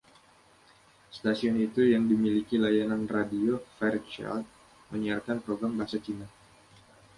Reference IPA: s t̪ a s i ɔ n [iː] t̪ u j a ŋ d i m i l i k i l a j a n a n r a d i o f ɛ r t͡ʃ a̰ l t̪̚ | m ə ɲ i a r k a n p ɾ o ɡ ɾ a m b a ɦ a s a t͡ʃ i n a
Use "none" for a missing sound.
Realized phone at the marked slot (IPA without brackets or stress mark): i